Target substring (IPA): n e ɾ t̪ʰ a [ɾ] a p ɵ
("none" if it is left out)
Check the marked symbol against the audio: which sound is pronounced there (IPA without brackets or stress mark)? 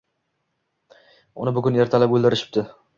l